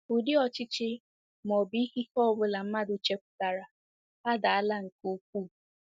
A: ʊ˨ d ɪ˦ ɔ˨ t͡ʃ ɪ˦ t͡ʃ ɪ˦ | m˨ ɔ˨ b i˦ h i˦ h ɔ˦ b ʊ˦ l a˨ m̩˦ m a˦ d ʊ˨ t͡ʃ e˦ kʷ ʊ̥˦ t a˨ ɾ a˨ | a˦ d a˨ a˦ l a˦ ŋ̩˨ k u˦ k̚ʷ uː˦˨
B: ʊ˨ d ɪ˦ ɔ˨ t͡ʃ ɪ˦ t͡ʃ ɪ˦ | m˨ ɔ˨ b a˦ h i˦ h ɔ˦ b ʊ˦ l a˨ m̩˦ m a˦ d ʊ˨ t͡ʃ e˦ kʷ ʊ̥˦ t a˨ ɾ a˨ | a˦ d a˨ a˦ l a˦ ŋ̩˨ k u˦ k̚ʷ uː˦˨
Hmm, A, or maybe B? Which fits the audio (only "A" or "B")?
A